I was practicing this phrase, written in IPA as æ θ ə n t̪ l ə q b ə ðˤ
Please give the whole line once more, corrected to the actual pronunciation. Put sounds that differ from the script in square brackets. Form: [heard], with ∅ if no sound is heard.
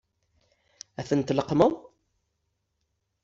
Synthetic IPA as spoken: æ θ ə n t̪ l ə q [m] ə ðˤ